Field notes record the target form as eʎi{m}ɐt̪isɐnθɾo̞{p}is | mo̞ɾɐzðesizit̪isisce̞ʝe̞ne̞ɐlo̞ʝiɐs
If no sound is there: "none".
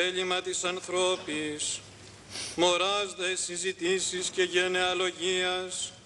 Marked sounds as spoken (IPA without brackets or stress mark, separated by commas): m, p